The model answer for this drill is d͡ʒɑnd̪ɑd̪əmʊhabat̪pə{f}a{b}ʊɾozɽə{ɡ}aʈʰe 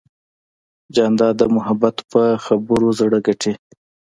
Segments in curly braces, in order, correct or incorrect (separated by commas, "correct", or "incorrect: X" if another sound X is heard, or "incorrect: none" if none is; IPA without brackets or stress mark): incorrect: x, correct, correct